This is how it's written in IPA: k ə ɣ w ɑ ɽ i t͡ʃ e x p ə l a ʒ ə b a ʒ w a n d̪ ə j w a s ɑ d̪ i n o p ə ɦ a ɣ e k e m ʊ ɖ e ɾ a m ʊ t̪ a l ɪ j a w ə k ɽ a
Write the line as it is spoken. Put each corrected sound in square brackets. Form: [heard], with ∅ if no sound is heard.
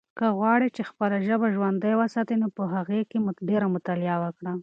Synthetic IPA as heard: k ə ɣ w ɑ ɽ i t͡ʃ e x p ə l a ʒ ə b a ʒ w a n d̪ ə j w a s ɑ [t̪] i n o p ə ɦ a ɣ e k e m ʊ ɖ e ɾ a m ʊ t̪ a l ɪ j a w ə k ɽ a